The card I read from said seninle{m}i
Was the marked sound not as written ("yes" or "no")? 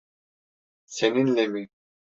no